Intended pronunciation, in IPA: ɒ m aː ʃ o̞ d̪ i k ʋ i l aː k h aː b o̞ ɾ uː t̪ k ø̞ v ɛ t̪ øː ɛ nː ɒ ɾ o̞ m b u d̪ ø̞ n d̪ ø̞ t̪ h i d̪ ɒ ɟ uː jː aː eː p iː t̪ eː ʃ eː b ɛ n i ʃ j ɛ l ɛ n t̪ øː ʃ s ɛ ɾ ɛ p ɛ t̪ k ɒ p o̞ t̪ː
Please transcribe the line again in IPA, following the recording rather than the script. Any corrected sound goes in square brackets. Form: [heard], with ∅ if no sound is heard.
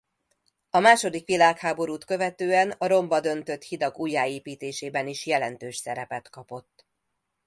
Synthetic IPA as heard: ɒ m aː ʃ o̞ d̪ i k ʋ i l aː k h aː b o̞ ɾ uː t̪ k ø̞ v ɛ t̪ øː ɛ [n] ɒ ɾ o̞ m b [ɒ] d̪ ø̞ n [t̪] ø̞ t̪ h i d̪ ɒ [ɡ] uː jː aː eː p iː t̪ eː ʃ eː b ɛ n i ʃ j ɛ l ɛ n t̪ øː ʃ s ɛ ɾ ɛ p ɛ t̪ k ɒ p o̞ t̪ː